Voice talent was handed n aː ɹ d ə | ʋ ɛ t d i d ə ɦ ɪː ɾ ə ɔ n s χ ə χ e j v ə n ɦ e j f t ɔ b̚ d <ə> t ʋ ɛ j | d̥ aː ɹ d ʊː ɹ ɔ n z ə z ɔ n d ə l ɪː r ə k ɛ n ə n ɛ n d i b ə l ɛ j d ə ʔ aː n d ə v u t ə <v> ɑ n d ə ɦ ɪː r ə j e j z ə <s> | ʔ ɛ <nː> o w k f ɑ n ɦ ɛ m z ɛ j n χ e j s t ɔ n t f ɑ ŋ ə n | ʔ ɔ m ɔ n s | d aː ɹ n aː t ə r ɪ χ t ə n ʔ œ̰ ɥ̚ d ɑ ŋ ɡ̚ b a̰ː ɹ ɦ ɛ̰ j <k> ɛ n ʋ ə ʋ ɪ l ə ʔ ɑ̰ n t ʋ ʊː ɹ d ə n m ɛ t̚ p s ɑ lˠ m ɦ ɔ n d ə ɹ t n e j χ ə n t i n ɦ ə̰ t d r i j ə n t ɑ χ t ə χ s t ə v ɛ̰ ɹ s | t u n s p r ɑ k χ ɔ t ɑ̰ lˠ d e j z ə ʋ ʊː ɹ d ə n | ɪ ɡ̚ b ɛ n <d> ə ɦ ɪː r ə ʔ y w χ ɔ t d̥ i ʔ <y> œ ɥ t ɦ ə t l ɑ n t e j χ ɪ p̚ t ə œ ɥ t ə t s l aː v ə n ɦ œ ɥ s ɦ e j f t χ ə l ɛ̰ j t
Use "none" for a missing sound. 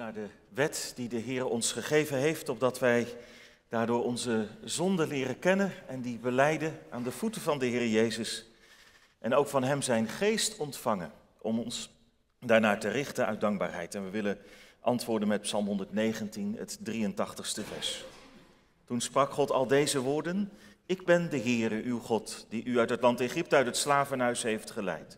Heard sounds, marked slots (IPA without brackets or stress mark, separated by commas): ɑ, v, s, n, t, d, y